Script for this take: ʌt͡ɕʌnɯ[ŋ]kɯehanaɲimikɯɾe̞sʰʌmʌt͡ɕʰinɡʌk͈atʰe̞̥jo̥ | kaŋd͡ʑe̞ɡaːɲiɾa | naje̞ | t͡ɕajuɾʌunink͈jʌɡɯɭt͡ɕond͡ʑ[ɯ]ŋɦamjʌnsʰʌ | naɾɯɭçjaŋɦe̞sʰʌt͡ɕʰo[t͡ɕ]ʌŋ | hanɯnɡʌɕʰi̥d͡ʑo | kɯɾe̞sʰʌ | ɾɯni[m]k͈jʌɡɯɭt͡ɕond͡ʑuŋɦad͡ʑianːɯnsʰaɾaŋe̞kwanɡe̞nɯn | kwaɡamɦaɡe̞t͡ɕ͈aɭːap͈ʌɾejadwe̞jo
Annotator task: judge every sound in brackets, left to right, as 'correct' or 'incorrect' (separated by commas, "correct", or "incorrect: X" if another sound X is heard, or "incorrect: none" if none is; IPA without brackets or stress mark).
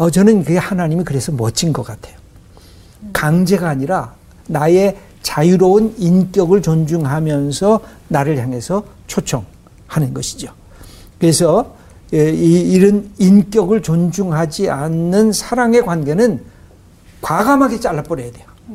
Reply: incorrect: n, incorrect: u, incorrect: t͡ɕʰ, incorrect: n